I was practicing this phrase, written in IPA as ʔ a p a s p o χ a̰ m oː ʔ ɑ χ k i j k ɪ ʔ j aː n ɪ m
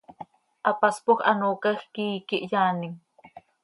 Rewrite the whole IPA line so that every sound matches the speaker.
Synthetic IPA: ʔ a p a s p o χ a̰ n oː k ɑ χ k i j k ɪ ʔ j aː n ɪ ŋ